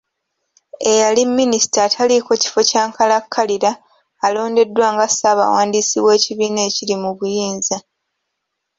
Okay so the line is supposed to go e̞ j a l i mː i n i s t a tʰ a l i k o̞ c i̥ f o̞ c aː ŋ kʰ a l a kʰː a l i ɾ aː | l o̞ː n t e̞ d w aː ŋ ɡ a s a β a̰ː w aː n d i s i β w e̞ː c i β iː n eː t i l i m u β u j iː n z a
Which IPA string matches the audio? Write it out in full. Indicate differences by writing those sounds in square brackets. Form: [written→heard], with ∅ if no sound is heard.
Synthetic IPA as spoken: e̞ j a l i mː i n i s t a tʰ a l i k o̞ c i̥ f o̞ c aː ŋ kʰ a l a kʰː a l i ɾ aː | l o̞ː n [t→d] e̞ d w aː ŋ ɡ a s a β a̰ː w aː n d i s i β w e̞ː c i β iː n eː [t→c] i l i m u β u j iː n z a